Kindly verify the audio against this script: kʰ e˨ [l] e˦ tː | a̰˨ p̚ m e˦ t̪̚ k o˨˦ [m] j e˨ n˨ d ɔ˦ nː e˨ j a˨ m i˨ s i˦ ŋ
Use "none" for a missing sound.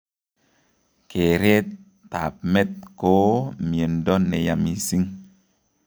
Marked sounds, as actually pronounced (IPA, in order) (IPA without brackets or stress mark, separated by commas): ɾ, m